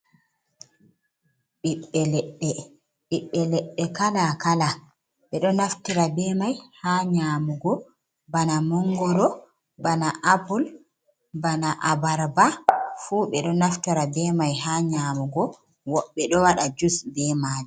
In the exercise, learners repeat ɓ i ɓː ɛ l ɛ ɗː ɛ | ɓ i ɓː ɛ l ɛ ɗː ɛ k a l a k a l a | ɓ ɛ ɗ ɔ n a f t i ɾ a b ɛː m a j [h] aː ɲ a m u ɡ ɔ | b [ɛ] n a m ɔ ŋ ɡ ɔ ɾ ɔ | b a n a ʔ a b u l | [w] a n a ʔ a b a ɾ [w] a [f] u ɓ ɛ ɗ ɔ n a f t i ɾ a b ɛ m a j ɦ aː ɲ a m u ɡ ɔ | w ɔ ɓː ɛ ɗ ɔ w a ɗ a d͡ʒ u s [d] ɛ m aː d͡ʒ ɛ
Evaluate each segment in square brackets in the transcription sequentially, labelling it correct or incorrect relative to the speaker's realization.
correct, incorrect, incorrect, incorrect, correct, incorrect

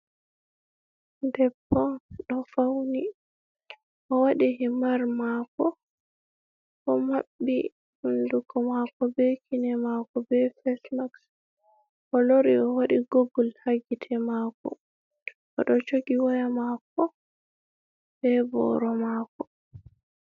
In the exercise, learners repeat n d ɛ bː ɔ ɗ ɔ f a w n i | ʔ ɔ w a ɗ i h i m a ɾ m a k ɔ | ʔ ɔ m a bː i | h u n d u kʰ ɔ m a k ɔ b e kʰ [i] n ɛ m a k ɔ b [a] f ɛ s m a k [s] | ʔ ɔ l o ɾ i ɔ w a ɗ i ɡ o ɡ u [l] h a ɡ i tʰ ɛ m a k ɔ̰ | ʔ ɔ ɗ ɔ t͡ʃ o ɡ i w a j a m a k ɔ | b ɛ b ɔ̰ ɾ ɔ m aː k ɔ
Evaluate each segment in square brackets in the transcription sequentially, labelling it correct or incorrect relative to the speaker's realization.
correct, incorrect, correct, correct

